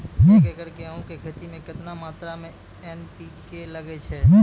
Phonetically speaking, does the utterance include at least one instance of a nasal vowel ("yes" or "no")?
yes